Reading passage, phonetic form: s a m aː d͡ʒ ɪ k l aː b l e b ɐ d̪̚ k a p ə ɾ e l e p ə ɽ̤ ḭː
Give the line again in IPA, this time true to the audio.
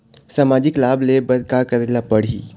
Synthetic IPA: s a m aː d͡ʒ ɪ k l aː b l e b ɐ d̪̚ k a k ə ɾ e l a p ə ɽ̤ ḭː

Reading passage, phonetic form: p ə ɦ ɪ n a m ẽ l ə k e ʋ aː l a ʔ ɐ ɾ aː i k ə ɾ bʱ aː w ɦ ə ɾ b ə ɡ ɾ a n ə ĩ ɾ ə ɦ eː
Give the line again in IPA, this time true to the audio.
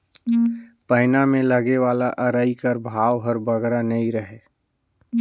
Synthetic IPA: p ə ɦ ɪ n a m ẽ l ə ɡ e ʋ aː l a ʔ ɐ ɾ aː i k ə ɾ bʱ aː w ɦ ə ɾ b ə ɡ ɾ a n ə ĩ ɾ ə ɦ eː

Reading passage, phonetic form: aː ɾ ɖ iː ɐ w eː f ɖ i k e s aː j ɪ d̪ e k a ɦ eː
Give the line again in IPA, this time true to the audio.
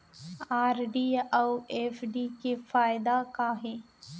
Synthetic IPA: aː ɾ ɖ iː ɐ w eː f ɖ i k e f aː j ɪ d̪ a k a ɦ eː

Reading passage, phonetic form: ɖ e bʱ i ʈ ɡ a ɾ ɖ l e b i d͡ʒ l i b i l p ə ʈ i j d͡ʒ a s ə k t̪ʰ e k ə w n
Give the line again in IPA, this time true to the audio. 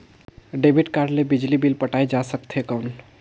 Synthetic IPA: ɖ e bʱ i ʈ k a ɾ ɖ l e b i d͡ʒ l i b i l p ə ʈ a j d͡ʒ a s ə k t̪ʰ e k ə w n

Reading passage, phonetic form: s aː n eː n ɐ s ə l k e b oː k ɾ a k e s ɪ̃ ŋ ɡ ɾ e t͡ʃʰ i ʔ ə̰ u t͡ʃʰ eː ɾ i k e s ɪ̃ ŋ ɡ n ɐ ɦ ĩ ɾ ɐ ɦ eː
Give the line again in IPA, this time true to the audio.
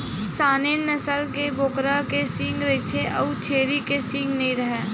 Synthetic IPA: s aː n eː n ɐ s ə l k e b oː k ɾ a k e s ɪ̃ ŋ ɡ ɾ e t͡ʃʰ e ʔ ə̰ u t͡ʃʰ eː ɾ i k e s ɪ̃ ŋ ɡ n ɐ ɦ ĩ ɾ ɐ ɦ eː

